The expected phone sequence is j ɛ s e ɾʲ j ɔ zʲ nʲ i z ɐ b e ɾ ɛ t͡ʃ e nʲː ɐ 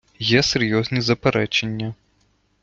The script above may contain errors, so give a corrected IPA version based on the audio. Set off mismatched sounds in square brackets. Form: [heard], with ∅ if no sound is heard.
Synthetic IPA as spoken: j ɛ s e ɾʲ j ɔ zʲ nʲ i z ɐ [p] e ɾ ɛ t͡ʃ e nʲː ɐ